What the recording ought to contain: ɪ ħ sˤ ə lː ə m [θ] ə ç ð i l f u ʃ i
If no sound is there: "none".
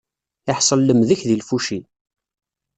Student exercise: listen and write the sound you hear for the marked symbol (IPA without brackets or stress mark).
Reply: ð